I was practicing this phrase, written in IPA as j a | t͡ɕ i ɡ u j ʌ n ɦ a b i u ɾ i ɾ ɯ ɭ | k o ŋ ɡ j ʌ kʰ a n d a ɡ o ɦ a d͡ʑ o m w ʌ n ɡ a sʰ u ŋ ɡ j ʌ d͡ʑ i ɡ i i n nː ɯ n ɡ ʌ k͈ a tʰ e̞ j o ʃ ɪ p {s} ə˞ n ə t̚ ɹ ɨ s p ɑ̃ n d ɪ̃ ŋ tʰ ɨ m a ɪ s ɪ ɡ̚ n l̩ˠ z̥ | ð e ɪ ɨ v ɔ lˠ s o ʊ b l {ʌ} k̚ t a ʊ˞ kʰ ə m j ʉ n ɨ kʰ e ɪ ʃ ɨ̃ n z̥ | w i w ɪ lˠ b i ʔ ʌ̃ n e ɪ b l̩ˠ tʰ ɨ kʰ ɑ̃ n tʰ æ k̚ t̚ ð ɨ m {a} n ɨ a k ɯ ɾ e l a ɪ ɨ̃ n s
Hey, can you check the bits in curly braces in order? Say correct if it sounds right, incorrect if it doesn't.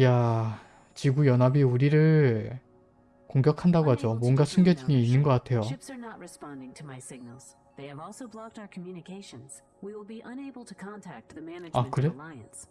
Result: correct, incorrect: ɑ, incorrect: æ

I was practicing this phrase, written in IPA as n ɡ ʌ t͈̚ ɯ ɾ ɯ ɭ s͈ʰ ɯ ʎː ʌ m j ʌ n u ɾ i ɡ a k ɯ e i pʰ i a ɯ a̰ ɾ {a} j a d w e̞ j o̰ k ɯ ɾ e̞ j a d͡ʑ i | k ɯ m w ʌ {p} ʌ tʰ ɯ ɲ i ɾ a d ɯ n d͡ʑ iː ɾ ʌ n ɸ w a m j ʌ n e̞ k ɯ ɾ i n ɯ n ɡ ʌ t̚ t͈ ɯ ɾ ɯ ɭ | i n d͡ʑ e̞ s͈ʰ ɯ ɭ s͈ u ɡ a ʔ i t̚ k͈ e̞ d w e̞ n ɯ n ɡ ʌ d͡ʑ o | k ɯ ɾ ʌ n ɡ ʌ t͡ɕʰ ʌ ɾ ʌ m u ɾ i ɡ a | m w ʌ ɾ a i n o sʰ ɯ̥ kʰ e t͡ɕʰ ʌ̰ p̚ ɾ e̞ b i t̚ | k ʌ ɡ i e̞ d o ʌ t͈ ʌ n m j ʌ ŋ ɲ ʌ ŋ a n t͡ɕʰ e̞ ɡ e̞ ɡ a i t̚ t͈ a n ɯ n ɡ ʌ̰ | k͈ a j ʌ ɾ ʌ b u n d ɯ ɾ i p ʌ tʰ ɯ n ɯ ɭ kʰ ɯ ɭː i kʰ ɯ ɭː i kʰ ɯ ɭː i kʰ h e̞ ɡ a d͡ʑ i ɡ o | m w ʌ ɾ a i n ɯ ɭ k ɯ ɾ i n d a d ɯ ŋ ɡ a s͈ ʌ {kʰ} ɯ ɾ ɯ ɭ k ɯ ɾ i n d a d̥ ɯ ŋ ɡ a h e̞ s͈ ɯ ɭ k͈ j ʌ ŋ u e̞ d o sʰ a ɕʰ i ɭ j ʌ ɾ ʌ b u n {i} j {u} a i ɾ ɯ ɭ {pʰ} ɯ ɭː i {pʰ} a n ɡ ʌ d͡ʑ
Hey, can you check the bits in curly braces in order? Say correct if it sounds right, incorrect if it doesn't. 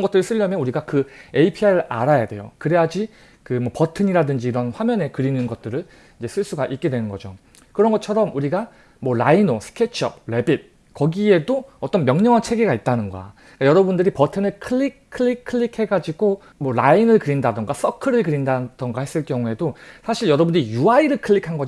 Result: correct, correct, correct, correct, correct, incorrect: kʰ, incorrect: kʰ

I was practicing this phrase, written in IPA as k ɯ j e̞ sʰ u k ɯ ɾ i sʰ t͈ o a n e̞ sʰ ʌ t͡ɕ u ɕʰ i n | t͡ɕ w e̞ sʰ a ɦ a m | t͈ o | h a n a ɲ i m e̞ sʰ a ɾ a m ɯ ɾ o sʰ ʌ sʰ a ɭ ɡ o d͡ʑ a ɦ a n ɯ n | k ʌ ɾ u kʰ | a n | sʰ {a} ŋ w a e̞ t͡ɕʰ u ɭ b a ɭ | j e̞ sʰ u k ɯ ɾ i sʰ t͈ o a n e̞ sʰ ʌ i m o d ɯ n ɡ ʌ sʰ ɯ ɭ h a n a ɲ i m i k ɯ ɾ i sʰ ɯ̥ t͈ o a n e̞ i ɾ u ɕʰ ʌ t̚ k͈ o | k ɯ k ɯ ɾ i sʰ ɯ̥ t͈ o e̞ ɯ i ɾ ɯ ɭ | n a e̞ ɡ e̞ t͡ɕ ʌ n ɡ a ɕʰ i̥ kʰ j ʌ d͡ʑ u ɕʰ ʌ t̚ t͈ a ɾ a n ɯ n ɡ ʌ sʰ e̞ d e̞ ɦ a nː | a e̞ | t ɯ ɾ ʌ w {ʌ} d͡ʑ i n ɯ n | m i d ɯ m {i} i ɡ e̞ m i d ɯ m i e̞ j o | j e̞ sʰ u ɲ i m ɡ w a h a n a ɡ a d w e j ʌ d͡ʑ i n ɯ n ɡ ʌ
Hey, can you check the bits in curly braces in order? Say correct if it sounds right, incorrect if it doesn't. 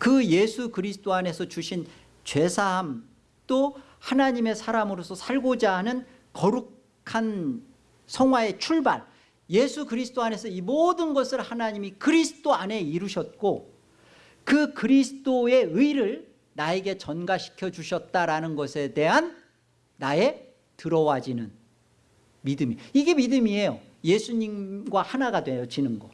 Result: incorrect: ʌ, incorrect: a, correct

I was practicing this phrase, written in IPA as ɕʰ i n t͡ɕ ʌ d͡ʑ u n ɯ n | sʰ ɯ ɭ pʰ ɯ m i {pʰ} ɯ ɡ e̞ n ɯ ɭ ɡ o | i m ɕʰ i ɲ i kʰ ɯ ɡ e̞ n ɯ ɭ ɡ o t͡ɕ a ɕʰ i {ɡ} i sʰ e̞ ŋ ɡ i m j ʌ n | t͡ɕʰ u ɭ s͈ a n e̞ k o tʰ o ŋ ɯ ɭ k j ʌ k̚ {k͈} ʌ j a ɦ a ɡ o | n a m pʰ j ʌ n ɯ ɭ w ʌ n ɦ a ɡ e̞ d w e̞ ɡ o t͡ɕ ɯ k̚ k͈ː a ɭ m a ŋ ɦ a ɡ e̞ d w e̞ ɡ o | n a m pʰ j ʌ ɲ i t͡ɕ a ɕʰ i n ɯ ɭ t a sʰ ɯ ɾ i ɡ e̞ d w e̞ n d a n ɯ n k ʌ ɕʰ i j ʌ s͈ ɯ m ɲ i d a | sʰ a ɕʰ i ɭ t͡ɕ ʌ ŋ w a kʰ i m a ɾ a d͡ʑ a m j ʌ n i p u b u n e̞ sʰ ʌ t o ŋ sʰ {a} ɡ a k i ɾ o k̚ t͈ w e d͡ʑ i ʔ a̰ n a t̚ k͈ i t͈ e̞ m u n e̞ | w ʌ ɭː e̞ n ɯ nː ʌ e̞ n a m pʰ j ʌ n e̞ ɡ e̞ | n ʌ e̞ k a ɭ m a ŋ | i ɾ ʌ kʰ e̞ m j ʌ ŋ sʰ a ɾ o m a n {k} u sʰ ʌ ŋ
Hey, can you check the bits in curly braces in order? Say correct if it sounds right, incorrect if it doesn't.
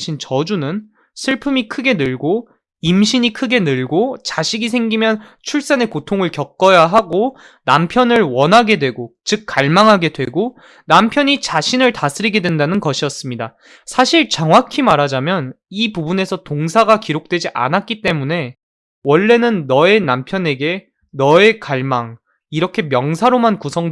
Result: incorrect: kʰ, correct, correct, correct, correct

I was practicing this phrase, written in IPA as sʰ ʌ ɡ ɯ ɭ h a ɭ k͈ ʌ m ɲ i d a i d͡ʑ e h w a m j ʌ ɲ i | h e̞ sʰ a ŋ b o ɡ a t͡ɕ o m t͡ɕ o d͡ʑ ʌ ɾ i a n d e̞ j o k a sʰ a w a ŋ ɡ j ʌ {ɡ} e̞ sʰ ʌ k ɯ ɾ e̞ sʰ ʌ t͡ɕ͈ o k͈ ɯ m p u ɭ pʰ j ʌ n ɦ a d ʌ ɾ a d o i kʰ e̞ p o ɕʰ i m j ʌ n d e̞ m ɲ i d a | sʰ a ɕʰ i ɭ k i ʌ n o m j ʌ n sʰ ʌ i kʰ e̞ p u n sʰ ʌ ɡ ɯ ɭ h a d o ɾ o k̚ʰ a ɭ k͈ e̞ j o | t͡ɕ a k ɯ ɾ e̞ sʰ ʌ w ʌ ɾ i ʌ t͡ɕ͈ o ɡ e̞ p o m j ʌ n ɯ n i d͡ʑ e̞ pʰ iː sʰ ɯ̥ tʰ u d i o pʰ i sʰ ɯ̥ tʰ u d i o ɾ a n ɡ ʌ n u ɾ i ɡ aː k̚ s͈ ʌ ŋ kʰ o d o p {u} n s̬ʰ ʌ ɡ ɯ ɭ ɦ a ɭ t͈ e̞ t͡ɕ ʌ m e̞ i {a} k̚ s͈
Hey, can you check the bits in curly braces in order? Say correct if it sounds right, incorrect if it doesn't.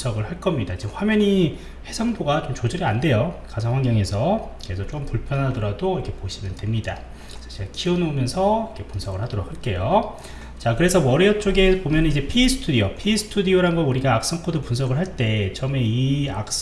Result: incorrect: ŋ, correct, correct

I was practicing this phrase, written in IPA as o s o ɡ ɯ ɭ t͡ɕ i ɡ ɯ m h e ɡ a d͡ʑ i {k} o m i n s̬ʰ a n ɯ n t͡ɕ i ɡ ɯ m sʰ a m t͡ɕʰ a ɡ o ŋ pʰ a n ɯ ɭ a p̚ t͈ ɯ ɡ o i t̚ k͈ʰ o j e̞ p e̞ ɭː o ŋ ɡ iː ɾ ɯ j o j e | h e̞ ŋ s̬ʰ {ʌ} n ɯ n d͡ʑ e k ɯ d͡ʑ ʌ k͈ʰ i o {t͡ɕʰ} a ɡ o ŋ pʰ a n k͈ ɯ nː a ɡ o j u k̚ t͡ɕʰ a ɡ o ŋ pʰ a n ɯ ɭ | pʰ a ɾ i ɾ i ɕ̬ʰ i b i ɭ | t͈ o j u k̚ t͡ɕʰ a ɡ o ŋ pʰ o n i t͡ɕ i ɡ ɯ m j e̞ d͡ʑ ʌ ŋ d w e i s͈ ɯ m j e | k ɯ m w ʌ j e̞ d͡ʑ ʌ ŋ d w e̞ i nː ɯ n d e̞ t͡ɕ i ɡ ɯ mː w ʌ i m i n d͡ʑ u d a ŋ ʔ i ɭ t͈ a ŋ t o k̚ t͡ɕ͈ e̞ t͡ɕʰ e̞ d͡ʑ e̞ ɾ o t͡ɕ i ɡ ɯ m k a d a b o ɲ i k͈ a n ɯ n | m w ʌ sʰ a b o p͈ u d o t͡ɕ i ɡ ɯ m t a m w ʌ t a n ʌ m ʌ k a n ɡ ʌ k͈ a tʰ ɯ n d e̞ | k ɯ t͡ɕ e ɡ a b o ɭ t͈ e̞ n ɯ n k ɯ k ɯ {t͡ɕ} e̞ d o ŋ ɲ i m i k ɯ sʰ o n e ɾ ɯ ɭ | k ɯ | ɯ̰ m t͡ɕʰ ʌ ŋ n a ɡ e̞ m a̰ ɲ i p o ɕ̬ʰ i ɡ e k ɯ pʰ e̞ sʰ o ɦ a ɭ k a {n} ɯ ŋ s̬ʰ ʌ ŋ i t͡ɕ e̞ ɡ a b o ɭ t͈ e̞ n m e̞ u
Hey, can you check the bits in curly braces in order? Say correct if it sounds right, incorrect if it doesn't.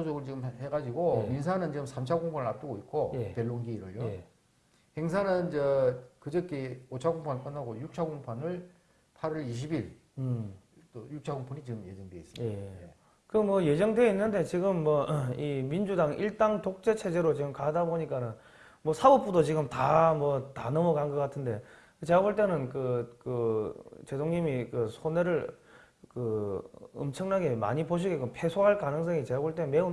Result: incorrect: ɡ, incorrect: a, correct, correct, correct

